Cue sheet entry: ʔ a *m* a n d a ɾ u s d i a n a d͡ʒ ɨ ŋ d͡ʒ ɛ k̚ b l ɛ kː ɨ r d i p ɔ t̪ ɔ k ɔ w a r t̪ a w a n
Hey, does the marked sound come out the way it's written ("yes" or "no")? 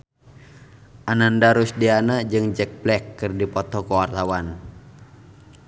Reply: no